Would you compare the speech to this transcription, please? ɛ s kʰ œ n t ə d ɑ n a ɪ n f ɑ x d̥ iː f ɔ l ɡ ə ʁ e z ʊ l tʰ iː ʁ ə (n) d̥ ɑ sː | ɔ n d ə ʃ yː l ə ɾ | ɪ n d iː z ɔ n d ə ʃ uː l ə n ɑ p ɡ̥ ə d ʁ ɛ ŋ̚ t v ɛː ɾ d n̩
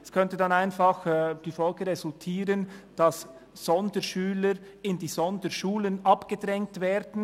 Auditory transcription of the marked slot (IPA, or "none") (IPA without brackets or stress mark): n